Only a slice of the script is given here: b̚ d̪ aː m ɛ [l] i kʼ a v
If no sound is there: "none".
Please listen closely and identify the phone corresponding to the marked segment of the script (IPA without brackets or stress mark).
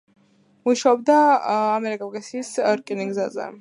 ɾ